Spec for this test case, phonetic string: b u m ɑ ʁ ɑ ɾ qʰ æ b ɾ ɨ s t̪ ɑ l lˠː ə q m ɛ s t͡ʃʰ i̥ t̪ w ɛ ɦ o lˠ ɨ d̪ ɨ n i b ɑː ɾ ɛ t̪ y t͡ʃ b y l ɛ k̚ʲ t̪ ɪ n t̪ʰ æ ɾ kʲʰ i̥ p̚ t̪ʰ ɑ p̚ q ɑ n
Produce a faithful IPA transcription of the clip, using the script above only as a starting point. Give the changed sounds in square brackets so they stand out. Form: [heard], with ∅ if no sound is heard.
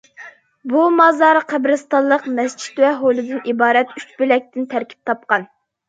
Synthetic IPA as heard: b u m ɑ [z] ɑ ɾ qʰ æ b ɾ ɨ s t̪ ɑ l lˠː ə q m ɛ s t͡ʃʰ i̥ t̪ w ɛ ɦ o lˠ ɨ d̪ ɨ n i b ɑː ɾ ɛ t̪ y t͡ʃ b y l ɛ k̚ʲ t̪ ɪ n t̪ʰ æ ɾ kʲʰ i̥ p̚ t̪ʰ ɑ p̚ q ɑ n